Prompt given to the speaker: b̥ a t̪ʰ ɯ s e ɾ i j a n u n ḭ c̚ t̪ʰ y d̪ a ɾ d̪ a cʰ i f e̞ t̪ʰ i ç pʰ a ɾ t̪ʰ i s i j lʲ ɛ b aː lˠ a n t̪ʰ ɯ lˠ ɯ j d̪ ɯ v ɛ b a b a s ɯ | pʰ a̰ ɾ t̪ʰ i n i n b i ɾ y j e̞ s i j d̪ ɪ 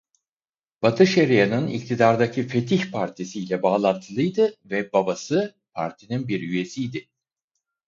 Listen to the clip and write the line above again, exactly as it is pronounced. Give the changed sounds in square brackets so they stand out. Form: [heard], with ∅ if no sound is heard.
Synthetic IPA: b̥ a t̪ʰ ɯ [ʃ] e ɾ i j a n [ɯ] n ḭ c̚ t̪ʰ [i] d̪ a ɾ d̪ a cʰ i f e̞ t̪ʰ i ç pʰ a ɾ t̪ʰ i s i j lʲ ɛ b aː lˠ a n t̪ʰ ɯ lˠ ɯ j d̪ ɯ v ɛ b a b a s ɯ | pʰ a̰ ɾ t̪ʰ i n i n b i ɾ y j e̞ s i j d̪ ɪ